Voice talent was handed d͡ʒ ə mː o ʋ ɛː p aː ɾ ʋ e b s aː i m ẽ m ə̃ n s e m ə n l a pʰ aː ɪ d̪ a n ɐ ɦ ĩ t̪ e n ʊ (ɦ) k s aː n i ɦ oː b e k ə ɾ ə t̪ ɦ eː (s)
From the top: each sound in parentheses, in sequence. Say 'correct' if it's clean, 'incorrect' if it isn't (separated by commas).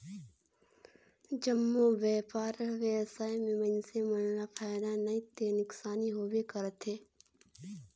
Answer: incorrect, incorrect